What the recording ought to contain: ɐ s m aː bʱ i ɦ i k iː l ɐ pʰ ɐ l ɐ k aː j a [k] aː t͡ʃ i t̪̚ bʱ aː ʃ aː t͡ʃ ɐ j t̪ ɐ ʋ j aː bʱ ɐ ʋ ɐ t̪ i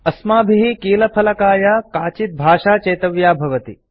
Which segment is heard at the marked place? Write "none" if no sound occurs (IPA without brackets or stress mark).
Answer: k